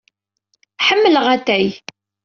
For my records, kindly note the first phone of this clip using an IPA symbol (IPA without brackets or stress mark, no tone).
ħ